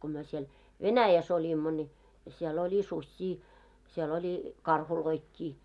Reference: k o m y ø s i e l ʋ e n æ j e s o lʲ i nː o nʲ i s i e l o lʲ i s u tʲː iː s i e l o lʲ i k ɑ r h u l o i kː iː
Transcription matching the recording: k o m y ø s i e l ʋ e n æ j æ s o lʲ i mː o nʲ i s i e l o lʲ i s u sʲː iː s i e l o lʲ i k ɑ r h u l o i kː iː